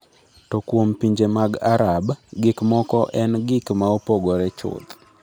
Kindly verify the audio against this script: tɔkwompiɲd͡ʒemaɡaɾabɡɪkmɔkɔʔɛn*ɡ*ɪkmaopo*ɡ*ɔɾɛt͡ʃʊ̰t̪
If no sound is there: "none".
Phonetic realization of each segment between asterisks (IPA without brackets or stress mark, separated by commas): ɡ, ɡ